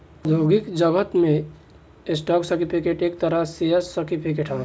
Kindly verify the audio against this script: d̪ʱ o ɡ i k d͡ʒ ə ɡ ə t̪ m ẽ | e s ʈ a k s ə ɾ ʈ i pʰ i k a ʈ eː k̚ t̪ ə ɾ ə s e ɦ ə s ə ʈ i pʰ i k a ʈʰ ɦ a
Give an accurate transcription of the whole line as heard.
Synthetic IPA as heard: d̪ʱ o ɡ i k d͡ʒ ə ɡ ə t̪ m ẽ | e s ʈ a k s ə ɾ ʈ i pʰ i k e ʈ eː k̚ t̪ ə ɾ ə s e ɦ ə s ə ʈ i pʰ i k e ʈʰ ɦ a